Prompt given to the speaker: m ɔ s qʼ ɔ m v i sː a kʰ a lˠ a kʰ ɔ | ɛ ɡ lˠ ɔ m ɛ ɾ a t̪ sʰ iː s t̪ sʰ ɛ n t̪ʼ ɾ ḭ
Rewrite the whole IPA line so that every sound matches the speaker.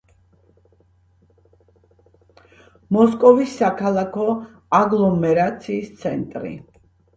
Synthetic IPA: m ɔ s kʼ ɔ v i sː a kʰ a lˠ a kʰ ɔ | a ɡ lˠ ɔ m ɛ ɾ a t̪ sʰ iː s t̪ sʰ ɛ n t̪ʼ ɾ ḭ